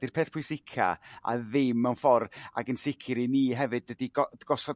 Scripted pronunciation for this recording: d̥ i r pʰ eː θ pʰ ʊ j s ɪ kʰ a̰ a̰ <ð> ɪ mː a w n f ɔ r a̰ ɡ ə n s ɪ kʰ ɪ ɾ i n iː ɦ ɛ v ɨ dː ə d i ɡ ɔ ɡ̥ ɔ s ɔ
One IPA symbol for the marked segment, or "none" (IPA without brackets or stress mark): ð